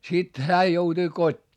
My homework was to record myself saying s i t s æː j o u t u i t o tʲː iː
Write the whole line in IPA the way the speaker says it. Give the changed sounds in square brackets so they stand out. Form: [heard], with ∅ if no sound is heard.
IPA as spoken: s i t [h] æː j o u t u i [k] o tʲː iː

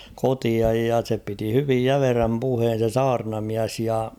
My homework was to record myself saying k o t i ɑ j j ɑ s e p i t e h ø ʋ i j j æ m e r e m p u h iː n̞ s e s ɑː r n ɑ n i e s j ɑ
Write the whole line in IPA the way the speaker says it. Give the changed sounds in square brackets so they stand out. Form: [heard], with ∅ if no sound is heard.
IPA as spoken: k o t i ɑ j j ɑ s e p i t [i] h [y] ʋ i j j æ m e r [æ] m p u h [eː] n̞ s e s ɑː r n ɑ [m] i [æ] s j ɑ

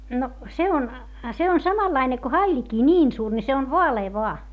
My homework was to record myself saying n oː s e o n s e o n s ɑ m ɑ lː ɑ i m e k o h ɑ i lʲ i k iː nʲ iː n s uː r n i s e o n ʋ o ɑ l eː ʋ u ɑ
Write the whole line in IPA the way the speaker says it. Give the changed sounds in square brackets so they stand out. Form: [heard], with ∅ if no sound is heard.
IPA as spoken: n [o] s e o n s e o n s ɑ m ɑ lː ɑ i [n] e k o h ɑ i lʲ i k iː nʲ iː n s uː r n i s e o n ʋ o ɑ l eː ʋ [o] ɑ

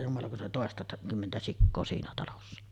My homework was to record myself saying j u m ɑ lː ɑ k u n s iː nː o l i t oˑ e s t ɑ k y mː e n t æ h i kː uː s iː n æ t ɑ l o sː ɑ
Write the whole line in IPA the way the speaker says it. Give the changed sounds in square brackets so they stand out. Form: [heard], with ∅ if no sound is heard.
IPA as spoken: j u m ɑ [l] ɑ k u n s iː [n] o l i t oˑ e s t ɑ k y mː e n t æ [s] i kː [oː] s iː n æ t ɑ l o sː ɑ

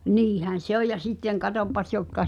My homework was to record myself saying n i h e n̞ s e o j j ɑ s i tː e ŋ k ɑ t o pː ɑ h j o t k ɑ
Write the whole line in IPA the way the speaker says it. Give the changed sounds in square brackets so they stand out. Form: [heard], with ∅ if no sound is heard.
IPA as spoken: n [iː] h [æ] n̞ s e o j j ɑ s i tː e ŋ k ɑ t o pː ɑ [s] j o t k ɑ

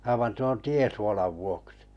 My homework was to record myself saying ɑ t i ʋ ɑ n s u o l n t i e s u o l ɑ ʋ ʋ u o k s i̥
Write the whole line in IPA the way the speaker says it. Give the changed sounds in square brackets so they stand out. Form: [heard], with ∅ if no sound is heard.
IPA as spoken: ɑ [∅] i ʋ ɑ n [t] u o [∅] n t i e s u o l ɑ ʋ ʋ u o k s i̥

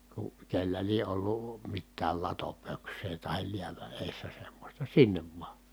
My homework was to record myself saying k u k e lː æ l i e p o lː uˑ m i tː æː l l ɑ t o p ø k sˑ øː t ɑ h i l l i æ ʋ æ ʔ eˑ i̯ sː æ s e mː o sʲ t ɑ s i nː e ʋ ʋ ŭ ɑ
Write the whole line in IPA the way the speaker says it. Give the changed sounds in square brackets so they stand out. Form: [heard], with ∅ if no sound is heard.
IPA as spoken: k u k e lː æ l i e [ʔ] o lː uˑ m i tː æː l l ɑ t o p ø k sˑ [eː] t ɑ h i l l i æ ʋ æ ʔ eˑ i̯ sː æ s e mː o sʲ t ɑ s i nː e ʋ ʋ ŭ ɑ

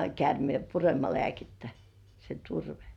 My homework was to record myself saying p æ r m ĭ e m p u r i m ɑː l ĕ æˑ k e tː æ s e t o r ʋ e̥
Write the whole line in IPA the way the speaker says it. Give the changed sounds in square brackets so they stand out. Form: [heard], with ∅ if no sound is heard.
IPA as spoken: [k] æ r m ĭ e m p u r [e] m [ɑ] l ĕ æˑ k e tː æ s e t [u] r ʋ e̥

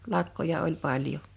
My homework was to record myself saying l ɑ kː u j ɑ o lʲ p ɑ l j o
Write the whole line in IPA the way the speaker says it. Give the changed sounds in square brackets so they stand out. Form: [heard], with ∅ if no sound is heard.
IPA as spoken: l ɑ kː [o] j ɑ o lʲ p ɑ l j o

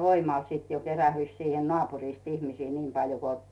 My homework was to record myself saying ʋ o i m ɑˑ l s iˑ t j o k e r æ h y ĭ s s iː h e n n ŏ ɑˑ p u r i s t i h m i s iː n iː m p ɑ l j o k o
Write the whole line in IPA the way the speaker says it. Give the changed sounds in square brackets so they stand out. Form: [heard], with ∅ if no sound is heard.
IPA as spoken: ʋ o i m ɑˑ l s iˑ t j o k e r æ h y ĭ s s iː h e n n ŏ ɑˑ p u r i s t i h m i s iː n iː m p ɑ l j o k o

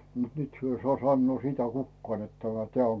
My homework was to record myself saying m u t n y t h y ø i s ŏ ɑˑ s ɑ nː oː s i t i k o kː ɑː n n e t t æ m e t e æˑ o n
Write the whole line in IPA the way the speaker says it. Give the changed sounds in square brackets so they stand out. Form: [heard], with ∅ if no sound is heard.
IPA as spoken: m u t n y t h y ø i s ŏ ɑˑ s ɑ nː oː s i t [æ] k [u] kː ɑː n n e t t æ m [æ] t e æˑ o [ŋ]

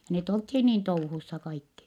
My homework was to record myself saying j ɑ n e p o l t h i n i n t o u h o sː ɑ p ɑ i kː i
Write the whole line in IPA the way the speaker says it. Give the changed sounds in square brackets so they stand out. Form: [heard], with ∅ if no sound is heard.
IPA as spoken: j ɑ n e [t] o l t h [iː] n [iː] n t o u h [u] sː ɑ [k] ɑ i kː i

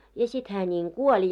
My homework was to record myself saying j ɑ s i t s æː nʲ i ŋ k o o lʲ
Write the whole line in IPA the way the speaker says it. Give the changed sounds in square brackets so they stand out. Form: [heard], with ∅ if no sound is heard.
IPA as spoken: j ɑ s i t [h] æː nʲ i ŋ k [u] o lʲ

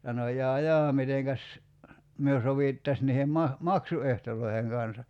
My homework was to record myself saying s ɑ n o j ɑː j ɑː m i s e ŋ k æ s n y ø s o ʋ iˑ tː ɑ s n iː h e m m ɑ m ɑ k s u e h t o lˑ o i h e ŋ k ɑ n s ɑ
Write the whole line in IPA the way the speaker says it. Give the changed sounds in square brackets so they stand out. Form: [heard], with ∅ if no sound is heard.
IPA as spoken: s ɑ n o j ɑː j ɑː m i [t] e ŋ k æ s [m] y ø s o ʋ iˑ tː ɑ s n iː h e m m ɑ m ɑ k s u e h t o lˑ o i h e ŋ k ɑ n s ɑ

